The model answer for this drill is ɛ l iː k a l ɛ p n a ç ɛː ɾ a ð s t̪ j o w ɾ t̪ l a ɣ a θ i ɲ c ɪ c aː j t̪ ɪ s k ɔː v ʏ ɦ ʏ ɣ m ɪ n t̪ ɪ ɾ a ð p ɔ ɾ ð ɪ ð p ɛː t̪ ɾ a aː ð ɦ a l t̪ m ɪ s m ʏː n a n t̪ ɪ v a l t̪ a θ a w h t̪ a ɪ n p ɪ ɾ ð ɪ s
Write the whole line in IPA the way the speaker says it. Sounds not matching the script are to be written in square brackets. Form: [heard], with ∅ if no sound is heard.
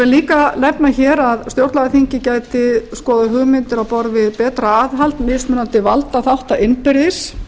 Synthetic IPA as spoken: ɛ l iː k a l ɛ p n a ç ɛː ɾ a ð s t̪ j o w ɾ t̪ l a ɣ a θ i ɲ c ɪ c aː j t̪ ɪ s k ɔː [ð] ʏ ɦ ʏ ɣ m ɪ n t̪ ɪ ɾ a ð p ɔ ɾ [v] ɪ ð p ɛː t̪ ɾ a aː ð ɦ a l t̪ m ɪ s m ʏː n a n t̪ ɪ v a l t̪ a θ a w h t̪ a ɪ n p ɪ ɾ ð ɪ s